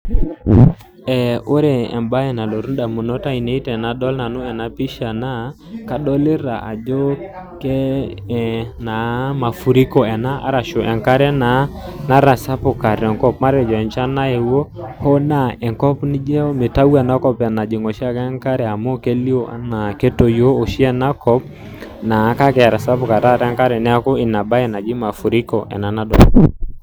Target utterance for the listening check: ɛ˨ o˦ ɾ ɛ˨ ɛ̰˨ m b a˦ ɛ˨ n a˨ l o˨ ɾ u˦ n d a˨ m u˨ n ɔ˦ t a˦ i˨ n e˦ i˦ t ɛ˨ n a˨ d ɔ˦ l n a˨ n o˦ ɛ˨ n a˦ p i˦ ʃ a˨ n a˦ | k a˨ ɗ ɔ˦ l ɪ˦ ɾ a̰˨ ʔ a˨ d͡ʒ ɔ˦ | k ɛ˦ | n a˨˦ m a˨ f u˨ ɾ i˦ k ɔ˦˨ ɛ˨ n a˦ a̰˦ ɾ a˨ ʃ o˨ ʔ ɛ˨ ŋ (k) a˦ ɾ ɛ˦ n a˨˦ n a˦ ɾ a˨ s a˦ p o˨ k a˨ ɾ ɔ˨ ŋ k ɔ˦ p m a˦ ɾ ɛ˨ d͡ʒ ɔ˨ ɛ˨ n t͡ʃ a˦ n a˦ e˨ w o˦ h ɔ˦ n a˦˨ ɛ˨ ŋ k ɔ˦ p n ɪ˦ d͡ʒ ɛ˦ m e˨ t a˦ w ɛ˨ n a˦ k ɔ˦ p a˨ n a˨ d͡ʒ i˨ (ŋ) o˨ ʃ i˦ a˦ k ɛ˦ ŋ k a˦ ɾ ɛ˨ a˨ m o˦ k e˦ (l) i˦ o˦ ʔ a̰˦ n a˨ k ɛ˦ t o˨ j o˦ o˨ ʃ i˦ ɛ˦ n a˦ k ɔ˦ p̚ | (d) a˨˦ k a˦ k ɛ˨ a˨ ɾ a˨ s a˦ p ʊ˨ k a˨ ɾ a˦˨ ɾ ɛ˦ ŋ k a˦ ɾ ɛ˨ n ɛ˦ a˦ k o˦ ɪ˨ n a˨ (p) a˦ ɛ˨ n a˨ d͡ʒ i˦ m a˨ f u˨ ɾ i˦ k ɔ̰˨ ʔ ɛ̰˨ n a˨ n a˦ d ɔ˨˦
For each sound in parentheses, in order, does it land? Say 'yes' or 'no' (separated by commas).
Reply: yes, yes, yes, no, no